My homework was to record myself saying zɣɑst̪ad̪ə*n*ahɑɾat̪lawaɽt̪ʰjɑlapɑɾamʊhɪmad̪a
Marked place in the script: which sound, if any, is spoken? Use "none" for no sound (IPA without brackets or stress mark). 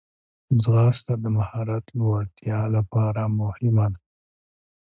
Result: m